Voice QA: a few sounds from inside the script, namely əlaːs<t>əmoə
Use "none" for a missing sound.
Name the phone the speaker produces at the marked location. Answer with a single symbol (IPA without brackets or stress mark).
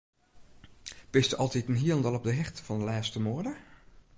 t